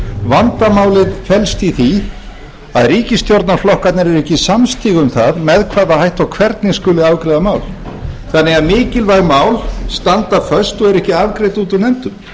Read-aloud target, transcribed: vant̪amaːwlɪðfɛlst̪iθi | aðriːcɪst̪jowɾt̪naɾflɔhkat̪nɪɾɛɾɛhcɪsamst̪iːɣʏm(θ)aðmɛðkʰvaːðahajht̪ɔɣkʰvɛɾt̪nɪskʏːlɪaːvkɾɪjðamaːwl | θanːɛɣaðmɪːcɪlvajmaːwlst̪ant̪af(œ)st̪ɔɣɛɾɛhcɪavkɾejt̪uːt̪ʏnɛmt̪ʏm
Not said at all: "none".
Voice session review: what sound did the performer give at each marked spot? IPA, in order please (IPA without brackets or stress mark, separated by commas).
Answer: θ, œ